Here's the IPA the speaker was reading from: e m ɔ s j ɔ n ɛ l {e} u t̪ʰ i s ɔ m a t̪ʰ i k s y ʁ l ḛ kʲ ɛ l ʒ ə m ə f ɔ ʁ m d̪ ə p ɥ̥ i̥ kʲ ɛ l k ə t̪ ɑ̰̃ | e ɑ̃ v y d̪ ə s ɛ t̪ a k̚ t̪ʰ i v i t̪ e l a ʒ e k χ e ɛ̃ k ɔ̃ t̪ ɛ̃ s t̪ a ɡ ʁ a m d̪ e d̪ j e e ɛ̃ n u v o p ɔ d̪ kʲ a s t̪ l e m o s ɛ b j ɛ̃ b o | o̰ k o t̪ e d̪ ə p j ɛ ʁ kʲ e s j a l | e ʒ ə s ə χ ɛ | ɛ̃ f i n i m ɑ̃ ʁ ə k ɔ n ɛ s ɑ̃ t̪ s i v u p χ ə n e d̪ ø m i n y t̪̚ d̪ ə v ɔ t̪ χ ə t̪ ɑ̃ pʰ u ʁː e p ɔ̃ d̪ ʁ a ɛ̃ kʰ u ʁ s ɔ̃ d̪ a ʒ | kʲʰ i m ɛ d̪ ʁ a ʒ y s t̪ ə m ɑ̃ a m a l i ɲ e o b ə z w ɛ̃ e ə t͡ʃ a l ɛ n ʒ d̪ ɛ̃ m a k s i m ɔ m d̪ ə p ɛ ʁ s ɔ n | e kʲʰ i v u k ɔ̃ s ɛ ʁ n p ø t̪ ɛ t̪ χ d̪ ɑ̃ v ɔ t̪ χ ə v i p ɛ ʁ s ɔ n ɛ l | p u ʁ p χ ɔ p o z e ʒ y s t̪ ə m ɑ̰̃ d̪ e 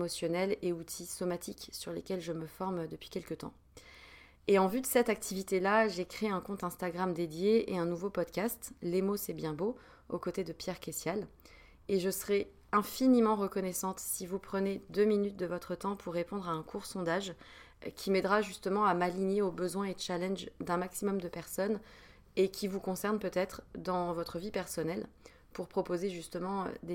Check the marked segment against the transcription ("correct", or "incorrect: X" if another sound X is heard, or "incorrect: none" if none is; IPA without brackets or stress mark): correct